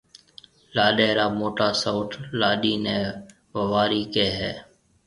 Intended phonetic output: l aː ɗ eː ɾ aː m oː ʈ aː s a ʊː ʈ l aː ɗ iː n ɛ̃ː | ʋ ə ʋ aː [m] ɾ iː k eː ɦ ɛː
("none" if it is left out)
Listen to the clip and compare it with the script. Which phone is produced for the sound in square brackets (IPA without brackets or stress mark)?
none